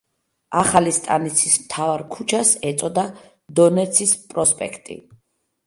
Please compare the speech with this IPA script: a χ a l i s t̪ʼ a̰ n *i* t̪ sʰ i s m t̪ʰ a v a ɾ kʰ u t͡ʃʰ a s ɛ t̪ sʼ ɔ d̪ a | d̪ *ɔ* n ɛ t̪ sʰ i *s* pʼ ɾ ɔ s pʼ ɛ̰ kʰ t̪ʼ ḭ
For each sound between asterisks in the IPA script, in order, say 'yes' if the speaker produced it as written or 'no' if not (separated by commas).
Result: yes, yes, yes